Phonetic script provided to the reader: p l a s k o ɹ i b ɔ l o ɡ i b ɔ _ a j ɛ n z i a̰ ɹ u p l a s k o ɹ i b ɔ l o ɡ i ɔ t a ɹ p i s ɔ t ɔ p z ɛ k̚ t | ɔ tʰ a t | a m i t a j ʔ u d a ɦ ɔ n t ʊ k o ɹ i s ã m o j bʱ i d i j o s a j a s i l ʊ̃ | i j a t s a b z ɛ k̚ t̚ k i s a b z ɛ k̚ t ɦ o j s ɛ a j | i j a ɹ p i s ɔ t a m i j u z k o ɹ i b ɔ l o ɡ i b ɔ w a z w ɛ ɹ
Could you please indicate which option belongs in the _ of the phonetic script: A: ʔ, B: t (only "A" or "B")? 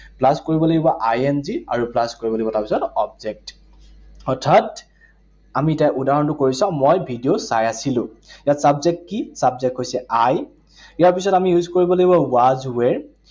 A